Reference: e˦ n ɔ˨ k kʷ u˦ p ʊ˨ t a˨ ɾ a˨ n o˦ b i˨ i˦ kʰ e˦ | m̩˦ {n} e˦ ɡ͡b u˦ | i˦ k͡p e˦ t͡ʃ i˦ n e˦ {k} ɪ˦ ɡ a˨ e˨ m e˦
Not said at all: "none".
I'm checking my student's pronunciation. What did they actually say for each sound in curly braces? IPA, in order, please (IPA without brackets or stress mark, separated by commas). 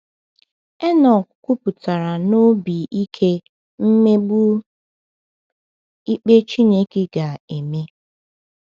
m, k